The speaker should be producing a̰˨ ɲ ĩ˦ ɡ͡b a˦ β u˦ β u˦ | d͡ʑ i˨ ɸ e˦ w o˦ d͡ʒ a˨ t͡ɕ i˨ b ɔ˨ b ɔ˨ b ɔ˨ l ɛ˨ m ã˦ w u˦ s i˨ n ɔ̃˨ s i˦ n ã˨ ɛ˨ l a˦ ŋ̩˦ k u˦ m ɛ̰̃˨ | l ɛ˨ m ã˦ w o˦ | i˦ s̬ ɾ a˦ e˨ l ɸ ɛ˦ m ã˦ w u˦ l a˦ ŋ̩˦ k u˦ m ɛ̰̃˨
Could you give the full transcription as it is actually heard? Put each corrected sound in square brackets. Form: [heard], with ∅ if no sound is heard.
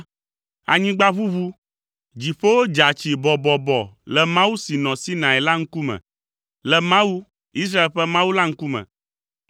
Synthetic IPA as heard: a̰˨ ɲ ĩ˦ ɡ͡b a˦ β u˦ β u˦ | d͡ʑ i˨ ɸ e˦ w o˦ d͡ʒ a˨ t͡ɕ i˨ b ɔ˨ b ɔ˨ b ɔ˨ l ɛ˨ m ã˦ w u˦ s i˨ n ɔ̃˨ s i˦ n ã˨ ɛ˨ l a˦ ŋ̩˦ k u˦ m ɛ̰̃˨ | l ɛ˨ m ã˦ w [u˦] | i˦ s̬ ɾ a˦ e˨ l ɸ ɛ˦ m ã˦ w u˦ l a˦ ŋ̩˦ k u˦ m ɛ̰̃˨